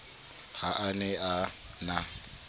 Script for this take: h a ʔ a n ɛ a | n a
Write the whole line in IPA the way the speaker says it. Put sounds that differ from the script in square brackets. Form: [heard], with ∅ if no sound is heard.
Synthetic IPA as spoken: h a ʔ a n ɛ a | n a